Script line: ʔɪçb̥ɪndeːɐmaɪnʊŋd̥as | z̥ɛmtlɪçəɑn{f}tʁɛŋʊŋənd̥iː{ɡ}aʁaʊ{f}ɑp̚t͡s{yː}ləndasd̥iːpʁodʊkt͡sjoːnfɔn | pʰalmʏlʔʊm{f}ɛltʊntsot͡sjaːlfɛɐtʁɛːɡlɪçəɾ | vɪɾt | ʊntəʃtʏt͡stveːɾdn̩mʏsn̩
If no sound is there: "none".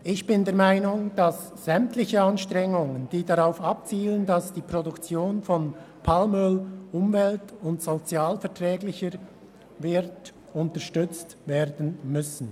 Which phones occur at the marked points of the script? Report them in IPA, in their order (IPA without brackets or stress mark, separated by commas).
ʃ, d, f, iː, v